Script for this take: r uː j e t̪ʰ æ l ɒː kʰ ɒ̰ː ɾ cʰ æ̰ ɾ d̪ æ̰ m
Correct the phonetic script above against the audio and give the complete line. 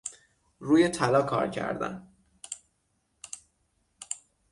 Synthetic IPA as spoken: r uː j e t̪ʰ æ l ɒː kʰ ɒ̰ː ɾ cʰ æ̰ ɾ d̪ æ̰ n